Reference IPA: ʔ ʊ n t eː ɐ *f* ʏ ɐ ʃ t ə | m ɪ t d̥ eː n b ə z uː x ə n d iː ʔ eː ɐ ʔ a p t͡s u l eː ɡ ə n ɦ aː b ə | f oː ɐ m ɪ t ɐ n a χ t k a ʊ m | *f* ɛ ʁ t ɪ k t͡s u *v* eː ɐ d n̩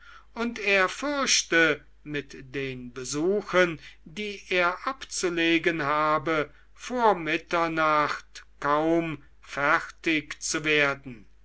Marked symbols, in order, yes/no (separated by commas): yes, yes, yes